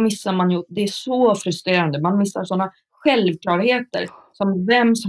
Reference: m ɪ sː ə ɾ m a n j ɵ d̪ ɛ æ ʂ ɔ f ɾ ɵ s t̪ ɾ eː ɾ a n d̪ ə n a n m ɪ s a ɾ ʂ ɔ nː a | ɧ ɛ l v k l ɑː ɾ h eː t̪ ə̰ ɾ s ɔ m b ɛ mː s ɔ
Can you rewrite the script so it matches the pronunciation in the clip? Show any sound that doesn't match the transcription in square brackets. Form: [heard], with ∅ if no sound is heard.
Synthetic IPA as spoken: m ɪ sː [a] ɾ m a n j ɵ d̪ ɛ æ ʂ ɔ f ɾ ɵ s t̪ ɾ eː ɾ a n d̪ ə [m] a n m ɪ [sː] a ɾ ʂ ɔ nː a | ɧ ɛ l v k l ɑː ɾ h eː t̪ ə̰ ɾ s ɔ m [v] ɛ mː s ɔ